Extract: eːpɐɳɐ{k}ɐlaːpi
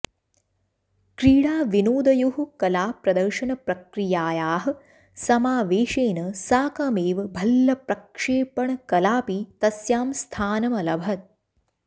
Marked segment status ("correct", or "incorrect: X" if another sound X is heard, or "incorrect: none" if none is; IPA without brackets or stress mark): correct